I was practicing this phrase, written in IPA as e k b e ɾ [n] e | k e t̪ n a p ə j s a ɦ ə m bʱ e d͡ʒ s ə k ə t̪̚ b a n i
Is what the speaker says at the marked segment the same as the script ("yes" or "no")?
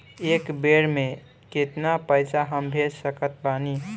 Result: no